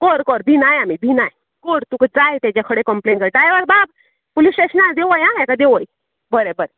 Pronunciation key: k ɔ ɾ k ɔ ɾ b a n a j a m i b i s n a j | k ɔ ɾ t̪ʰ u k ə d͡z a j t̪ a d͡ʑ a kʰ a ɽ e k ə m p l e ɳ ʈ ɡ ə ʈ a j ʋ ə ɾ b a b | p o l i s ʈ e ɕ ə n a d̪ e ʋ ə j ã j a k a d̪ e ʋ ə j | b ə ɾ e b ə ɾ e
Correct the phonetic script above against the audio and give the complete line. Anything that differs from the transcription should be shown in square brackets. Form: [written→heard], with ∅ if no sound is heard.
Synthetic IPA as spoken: k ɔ ɾ k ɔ ɾ b [a→i] n a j a m i b i [s→∅] n a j | k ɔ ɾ [t̪ʰ→t̪] u k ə d͡z a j t̪ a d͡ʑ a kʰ [a→ə] ɽ e k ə m p l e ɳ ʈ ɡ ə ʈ a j ʋ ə ɾ b a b | p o l i s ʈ e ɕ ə n a d̪ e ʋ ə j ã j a k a d̪ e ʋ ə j | b ə ɾ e b ə ɾ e